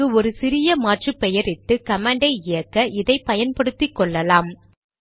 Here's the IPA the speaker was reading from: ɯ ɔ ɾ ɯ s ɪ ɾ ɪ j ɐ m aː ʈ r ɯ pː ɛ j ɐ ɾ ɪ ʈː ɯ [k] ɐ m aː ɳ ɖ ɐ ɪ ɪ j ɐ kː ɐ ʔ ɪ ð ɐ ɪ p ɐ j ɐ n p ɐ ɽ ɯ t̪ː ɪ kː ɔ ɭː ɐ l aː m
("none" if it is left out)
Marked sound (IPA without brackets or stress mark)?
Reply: k